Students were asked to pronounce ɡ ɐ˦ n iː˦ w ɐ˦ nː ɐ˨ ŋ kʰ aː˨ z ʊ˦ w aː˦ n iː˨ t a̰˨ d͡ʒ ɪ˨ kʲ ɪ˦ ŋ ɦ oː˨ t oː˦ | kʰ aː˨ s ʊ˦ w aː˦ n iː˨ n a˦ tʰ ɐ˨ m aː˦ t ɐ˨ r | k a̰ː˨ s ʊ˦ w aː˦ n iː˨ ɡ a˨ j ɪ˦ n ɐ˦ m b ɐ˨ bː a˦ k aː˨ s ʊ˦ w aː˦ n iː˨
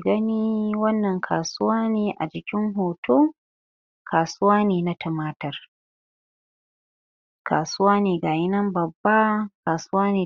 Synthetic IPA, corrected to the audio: ɡ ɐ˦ n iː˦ w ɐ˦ nː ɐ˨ ŋ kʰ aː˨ s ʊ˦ w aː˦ n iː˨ ʔ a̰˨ d͡ʒ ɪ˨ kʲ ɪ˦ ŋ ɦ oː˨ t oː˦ | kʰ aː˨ s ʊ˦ w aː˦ n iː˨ n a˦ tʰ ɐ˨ m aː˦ t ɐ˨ r | k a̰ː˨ s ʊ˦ w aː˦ n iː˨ ɡ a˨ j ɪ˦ n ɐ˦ m b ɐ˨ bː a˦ k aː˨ s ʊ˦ w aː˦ n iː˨

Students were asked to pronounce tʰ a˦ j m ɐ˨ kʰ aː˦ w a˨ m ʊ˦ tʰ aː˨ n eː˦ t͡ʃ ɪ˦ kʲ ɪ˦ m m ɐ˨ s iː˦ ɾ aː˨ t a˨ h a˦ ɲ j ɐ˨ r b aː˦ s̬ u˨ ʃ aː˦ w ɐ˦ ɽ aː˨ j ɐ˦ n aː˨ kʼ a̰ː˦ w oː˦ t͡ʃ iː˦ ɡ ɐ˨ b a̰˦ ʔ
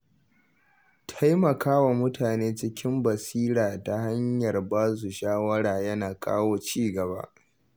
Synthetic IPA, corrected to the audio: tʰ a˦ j m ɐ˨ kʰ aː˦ w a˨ m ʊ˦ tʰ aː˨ n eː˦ t͡ʃ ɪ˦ kʲ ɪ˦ m b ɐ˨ s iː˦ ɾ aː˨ t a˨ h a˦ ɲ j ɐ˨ r b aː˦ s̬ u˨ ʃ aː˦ w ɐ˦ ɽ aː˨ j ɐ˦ n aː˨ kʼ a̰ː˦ w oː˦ t͡ʃ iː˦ ɡ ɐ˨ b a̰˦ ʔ

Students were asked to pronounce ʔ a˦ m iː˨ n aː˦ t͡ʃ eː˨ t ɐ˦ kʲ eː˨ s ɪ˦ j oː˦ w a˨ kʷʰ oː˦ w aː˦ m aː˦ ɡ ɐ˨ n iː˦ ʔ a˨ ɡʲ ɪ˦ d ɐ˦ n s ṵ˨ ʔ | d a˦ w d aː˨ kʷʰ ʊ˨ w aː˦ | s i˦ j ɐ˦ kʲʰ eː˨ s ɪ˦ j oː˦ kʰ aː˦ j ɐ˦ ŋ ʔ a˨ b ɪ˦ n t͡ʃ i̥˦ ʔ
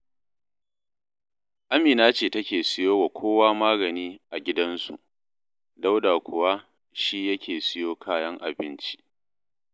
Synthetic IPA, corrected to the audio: ʔ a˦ m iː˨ n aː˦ t͡ʃ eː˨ t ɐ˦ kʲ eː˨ s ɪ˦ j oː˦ w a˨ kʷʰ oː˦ w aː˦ m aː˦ ɡ ɐ˨ n iː˦ ʔ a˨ ɡʲ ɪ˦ d ɐ˦ n s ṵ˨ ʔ | d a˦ w d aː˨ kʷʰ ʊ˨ w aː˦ | ʃ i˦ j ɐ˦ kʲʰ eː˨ s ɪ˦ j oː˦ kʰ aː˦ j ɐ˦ ŋ ʔ a˨ b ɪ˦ n t͡ʃ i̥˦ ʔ

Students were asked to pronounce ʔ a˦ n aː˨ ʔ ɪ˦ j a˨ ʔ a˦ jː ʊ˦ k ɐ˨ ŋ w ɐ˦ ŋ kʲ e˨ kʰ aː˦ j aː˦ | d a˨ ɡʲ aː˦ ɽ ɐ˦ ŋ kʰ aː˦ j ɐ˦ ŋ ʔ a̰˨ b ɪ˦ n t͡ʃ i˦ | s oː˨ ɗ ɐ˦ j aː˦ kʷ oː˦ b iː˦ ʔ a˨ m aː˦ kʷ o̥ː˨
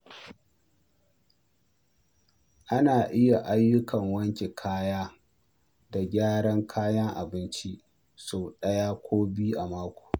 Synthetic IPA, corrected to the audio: ʔ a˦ n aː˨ ʔ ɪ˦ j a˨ ʔ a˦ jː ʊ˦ k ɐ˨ ŋ w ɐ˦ ŋ kʲ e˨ kʰ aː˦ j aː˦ | d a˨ ɡʲ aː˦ ɽ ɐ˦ ŋ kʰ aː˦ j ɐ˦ ŋ ʔ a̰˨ b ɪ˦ n t͡ʃ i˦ | s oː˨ ɗ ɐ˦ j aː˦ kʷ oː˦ b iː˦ ʔ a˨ m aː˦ kʷ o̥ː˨

